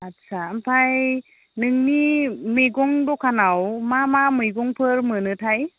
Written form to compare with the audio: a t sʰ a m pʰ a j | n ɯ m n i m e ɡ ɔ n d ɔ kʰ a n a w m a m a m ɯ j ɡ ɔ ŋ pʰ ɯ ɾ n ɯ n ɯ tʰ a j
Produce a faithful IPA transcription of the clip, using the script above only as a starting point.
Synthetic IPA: a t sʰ a m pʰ a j | n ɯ ŋ n i m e ɡ ɔ ŋ d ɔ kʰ a n a w m a m a m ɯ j ɡ ɔ ŋ pʰ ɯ ɾ m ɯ n ɯ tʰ a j